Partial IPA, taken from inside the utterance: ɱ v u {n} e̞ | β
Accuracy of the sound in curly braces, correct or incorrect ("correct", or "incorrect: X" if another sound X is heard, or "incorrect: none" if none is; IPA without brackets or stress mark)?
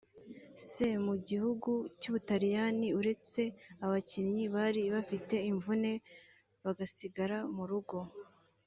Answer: correct